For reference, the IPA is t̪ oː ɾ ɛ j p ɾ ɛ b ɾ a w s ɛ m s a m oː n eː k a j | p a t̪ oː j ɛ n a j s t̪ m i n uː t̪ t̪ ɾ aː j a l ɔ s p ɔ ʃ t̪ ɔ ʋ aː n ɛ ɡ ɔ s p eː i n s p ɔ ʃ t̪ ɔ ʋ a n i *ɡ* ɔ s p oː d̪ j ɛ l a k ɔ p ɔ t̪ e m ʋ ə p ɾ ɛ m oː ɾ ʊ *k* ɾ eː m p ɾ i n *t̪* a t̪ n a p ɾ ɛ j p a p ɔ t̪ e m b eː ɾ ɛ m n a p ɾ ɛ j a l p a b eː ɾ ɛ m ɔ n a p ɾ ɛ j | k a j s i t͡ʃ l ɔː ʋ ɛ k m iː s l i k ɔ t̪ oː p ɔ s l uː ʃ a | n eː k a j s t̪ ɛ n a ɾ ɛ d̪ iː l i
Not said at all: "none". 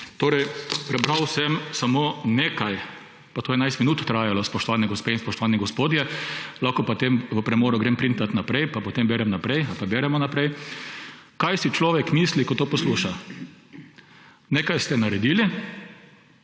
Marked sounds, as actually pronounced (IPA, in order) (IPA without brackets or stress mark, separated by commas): ɡ, ɡ, t̪